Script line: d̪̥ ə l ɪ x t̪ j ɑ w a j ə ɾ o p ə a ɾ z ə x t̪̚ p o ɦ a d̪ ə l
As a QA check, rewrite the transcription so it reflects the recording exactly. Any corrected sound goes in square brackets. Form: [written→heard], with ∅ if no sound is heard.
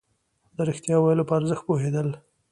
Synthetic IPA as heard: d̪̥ ə [l→ɾ] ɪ x t̪ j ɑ w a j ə [ɾ→l] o p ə a ɾ z ə x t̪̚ p o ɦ [a→e] d̪ ə l